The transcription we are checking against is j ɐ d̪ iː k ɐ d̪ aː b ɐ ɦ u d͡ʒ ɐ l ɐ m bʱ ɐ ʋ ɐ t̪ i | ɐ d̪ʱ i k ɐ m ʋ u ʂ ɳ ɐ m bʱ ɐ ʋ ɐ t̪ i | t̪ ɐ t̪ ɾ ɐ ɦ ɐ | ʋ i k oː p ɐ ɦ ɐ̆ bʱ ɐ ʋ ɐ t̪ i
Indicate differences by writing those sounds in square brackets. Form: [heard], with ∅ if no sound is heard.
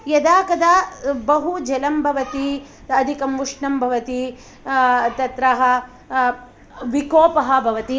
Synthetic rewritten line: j ɐ d̪ [aː] k ɐ d̪ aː b ɐ ɦ u d͡ʒ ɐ l ɐ m bʱ ɐ ʋ ɐ t̪ i | ɐ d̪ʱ i k ɐ m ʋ u ʂ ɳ ɐ m bʱ ɐ ʋ ɐ t̪ i | t̪ ɐ t̪ ɾ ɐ ɦ ɐ | ʋ i k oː p ɐ ɦ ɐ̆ bʱ ɐ ʋ ɐ t̪ i